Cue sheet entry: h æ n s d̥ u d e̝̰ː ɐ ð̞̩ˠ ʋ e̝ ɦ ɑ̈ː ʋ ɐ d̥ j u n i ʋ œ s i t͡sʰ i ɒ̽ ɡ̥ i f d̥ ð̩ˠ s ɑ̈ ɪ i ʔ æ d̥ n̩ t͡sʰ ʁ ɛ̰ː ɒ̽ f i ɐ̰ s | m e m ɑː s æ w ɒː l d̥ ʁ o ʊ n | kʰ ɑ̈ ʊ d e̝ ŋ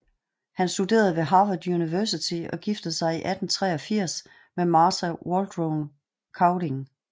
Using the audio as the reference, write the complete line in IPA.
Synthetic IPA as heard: h æ n s d̥ u d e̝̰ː ɐ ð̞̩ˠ ʋ e̝ ɦ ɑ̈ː ʋ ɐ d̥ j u n i ʋ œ s i t͡sʰ i ɒ̽ ɡ̥ i f d̥ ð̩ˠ s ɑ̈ ɪ i ʔ æ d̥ n̩ t͡sʰ ʁ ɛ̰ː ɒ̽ f i ɐ̰ s | m e m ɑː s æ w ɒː l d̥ ʁ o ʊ n | kʰ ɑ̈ ʊ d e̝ ŋ